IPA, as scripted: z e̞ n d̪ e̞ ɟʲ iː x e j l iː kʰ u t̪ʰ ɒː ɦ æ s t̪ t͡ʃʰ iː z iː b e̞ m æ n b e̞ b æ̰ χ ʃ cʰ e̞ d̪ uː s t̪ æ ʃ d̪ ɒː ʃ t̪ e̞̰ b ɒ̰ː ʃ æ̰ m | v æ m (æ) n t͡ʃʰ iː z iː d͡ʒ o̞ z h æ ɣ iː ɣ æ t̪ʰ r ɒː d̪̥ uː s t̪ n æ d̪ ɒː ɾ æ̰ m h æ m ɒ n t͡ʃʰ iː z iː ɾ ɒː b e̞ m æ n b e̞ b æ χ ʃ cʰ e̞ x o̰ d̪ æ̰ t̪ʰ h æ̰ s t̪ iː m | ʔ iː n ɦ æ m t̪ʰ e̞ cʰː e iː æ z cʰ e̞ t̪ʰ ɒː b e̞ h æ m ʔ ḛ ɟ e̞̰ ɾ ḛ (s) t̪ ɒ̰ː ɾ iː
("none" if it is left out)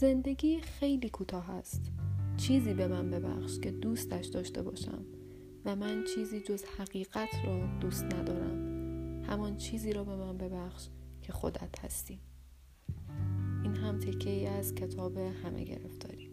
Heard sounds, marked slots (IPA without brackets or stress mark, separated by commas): æ, f